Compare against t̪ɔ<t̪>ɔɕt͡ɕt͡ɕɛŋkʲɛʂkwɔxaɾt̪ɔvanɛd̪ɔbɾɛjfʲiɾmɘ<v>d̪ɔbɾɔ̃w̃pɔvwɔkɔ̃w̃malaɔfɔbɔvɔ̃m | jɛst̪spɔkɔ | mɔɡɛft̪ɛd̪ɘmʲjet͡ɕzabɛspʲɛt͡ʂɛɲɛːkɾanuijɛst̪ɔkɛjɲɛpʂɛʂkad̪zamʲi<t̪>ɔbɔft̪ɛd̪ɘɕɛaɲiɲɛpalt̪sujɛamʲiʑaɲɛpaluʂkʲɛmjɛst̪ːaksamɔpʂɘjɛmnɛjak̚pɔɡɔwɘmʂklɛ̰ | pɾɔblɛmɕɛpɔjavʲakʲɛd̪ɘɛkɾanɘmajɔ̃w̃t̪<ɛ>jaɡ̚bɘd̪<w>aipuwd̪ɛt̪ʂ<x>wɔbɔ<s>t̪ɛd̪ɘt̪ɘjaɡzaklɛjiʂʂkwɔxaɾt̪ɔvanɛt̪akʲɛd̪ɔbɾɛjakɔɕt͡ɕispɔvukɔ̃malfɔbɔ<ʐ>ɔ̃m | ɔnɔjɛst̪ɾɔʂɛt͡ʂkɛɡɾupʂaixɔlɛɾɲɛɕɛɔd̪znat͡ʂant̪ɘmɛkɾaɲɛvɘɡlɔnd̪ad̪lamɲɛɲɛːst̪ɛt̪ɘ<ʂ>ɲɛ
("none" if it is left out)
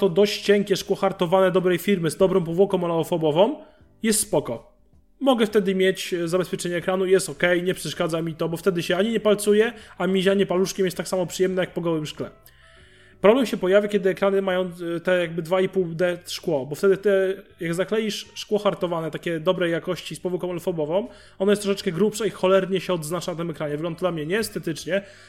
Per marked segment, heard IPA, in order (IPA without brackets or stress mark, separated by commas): d̪, z, t̪, ɛ, v, k, f, v, t͡ʂ